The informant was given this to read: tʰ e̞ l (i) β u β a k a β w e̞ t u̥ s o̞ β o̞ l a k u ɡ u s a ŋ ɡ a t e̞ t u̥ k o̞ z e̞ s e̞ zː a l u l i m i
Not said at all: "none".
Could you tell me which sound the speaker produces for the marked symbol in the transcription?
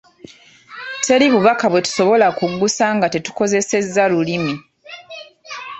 i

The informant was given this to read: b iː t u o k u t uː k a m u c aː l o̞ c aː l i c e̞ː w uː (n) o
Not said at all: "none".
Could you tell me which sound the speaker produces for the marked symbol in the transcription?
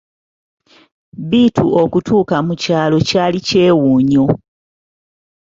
ɲ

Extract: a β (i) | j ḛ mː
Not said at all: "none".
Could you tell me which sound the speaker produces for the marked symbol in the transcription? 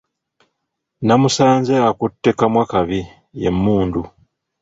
i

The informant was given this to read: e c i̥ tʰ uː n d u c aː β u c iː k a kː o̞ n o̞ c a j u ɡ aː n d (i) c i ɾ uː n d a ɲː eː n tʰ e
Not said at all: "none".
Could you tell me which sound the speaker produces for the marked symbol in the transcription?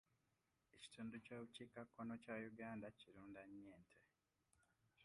a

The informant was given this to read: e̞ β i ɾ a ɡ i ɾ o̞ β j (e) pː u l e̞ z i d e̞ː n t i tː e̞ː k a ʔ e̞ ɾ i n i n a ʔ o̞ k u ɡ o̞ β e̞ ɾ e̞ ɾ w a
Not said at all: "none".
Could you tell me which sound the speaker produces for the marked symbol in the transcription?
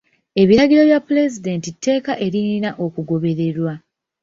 a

